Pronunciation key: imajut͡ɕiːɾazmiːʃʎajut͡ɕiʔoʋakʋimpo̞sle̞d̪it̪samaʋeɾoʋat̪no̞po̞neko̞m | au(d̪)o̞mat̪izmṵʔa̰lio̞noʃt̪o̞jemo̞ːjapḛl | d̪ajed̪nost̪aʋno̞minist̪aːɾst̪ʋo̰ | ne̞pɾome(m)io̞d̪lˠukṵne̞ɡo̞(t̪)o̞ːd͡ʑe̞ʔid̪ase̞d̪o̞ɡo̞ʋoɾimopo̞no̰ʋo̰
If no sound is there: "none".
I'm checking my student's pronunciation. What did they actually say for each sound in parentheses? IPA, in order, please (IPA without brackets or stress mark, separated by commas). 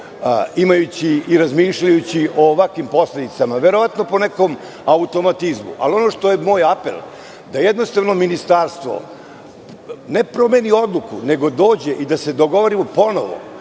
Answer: t̪, n, d̪